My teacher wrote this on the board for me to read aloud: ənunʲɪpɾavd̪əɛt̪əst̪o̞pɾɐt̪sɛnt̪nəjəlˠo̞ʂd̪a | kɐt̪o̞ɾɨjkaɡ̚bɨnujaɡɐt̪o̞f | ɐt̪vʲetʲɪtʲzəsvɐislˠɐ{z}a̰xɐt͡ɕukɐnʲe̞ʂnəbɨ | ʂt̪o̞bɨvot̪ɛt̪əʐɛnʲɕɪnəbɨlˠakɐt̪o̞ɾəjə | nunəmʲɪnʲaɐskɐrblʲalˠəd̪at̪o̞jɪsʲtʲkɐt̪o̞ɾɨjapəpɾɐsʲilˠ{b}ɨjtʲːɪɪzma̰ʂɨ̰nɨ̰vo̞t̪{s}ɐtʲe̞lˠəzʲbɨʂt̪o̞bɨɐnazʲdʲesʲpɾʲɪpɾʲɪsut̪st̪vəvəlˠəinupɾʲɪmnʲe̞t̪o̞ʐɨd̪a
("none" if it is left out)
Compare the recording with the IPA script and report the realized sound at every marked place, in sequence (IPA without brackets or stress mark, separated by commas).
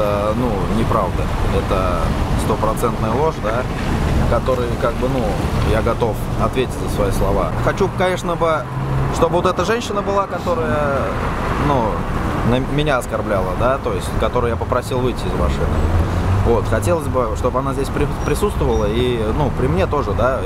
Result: v, v, x